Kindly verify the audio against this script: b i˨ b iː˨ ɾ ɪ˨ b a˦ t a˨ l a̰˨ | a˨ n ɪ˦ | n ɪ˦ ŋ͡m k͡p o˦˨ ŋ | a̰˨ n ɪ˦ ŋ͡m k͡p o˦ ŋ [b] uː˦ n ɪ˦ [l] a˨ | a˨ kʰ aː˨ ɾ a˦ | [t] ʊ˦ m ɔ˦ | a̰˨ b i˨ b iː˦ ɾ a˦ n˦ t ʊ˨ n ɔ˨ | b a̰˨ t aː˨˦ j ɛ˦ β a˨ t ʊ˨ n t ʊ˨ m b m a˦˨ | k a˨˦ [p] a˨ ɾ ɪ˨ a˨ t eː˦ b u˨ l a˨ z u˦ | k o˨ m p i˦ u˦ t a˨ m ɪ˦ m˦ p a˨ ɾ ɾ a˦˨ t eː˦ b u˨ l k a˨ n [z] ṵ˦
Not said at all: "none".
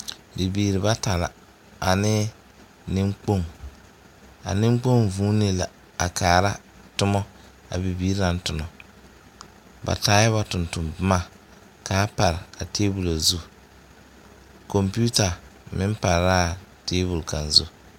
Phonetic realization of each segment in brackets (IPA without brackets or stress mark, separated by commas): v, l, t, p, z